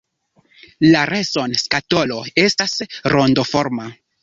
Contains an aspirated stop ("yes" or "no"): no